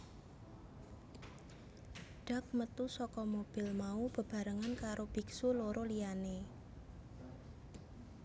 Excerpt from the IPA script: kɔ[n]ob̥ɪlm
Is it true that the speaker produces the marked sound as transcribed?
no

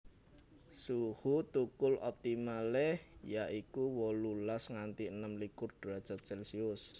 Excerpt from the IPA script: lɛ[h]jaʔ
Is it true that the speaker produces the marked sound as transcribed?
yes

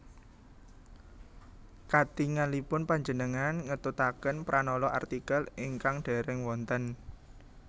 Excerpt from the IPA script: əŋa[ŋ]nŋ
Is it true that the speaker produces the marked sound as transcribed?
no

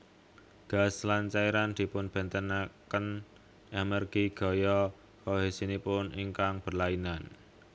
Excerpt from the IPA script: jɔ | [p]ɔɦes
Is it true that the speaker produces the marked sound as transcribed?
no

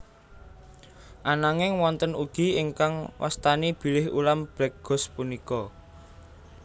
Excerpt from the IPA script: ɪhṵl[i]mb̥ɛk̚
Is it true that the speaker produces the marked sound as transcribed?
no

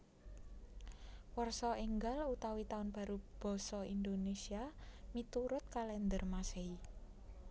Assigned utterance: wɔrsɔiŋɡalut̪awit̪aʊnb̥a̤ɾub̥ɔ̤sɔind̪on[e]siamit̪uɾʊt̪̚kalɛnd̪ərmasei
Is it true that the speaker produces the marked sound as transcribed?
yes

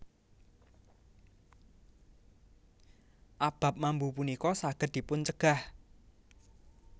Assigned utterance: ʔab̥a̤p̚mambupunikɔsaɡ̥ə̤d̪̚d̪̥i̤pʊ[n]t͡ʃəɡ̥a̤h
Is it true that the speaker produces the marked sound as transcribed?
yes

